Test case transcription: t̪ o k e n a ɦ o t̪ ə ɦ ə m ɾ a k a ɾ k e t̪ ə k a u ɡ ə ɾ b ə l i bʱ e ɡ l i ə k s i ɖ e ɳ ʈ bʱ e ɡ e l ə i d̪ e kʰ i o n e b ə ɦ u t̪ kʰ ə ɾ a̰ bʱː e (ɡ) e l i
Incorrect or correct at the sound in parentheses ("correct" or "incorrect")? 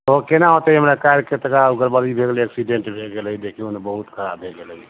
correct